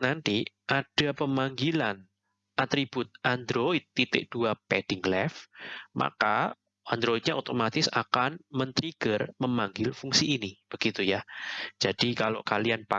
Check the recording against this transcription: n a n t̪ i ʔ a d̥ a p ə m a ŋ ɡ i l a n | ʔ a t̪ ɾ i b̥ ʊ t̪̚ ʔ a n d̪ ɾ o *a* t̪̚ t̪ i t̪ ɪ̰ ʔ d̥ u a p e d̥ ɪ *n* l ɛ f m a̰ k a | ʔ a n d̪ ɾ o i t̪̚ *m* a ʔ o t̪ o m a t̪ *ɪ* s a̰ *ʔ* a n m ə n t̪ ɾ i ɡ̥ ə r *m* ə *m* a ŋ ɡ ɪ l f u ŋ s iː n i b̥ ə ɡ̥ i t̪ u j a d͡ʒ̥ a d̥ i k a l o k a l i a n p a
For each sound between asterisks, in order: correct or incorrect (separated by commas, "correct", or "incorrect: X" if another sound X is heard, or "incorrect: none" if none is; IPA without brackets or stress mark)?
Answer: incorrect: i, incorrect: ŋ, incorrect: ɲ, correct, incorrect: k, correct, correct